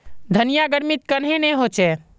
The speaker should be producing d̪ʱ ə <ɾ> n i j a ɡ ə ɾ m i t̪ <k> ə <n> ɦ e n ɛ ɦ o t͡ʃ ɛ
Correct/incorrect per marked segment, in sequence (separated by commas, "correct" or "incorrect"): incorrect, correct, correct